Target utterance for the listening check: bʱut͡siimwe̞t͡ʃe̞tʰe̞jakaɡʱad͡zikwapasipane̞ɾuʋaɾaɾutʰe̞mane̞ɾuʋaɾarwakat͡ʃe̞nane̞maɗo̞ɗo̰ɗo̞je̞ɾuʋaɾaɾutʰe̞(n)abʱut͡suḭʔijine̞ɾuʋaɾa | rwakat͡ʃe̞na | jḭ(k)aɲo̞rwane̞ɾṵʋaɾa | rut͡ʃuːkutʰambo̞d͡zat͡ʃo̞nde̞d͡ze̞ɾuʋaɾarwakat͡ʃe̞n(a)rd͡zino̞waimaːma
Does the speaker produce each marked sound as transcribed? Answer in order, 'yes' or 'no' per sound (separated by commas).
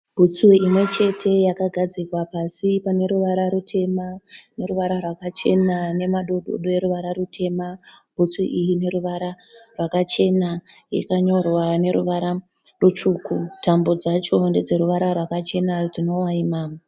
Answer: no, yes, yes